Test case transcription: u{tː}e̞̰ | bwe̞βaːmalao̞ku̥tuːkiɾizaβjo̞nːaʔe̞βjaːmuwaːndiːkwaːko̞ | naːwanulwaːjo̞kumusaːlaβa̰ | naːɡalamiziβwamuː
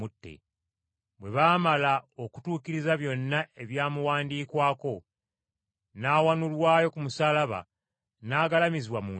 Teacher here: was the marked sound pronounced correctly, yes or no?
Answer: yes